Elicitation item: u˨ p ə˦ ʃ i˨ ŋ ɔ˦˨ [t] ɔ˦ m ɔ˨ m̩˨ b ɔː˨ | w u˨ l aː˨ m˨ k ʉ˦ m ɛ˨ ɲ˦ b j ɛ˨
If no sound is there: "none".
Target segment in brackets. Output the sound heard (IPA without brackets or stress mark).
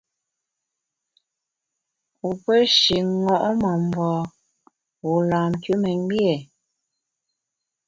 ʔ